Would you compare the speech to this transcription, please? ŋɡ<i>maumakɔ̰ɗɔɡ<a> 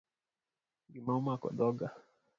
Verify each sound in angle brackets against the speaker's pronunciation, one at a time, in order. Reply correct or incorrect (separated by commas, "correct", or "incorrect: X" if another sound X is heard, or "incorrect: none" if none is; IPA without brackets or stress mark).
correct, correct